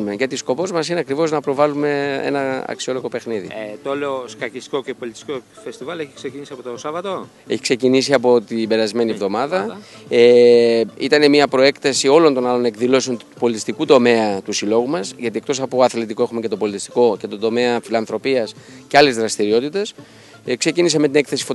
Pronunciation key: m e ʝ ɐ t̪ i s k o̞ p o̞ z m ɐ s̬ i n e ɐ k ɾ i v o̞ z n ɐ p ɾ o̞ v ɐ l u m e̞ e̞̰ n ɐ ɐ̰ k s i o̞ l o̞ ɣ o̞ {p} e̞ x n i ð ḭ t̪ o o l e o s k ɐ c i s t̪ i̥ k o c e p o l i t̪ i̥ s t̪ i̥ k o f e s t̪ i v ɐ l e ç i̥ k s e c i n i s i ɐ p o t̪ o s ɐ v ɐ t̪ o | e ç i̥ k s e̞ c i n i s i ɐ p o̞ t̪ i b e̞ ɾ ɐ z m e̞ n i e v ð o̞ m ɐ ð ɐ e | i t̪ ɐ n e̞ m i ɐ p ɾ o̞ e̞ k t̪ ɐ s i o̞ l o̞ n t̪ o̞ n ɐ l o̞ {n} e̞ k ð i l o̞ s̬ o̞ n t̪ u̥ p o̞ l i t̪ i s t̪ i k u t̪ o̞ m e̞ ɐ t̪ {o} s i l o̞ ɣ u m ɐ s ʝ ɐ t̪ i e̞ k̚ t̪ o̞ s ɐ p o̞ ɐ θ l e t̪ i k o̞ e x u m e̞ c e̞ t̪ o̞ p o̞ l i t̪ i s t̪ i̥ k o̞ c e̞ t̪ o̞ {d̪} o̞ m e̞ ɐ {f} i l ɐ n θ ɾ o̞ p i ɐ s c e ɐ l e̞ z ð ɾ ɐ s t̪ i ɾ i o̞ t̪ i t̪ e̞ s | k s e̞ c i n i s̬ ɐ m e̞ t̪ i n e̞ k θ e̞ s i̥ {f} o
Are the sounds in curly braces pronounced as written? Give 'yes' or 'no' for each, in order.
yes, yes, no, yes, yes, yes

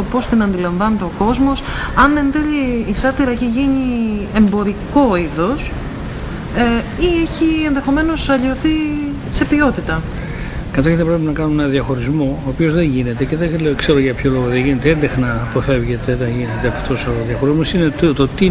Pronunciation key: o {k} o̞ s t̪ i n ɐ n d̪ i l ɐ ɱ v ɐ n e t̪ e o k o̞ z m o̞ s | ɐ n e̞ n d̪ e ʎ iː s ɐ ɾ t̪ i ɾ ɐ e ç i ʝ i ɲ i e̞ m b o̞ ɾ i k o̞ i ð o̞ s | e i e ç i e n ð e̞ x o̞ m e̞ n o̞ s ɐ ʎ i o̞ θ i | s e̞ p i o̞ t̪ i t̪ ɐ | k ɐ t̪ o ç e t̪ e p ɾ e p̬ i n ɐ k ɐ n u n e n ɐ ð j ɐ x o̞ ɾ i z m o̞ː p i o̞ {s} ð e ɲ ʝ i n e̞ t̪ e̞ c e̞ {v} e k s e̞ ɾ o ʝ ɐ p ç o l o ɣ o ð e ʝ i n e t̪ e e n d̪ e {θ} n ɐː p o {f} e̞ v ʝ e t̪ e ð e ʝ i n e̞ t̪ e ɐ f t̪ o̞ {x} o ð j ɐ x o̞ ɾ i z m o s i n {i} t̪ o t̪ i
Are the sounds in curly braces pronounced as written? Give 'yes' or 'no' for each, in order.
no, no, no, no, yes, no, no

